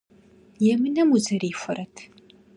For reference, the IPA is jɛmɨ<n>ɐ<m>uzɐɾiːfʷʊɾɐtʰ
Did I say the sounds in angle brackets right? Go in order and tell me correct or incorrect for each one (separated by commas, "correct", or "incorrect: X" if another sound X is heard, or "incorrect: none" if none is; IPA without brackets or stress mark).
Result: correct, correct